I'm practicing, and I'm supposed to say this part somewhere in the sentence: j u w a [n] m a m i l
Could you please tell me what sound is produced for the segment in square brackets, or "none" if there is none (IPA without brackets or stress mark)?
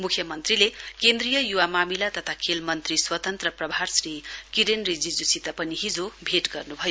none